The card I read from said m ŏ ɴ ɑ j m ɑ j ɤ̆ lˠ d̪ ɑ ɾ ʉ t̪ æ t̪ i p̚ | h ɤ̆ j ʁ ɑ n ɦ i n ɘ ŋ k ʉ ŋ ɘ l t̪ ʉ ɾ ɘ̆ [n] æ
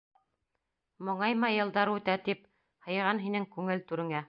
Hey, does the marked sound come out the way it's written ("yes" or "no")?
no